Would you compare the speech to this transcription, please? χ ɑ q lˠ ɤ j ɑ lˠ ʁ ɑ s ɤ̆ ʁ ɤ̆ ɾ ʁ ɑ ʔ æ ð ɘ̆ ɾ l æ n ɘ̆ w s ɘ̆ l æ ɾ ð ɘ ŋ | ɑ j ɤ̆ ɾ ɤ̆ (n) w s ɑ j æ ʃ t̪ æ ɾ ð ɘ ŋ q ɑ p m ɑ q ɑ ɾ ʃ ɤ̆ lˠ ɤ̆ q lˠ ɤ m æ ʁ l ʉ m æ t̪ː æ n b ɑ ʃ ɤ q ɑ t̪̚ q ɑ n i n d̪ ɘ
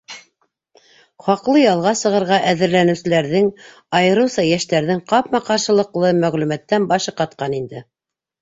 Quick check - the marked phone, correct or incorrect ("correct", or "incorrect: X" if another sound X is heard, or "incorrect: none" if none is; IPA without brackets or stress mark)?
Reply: incorrect: none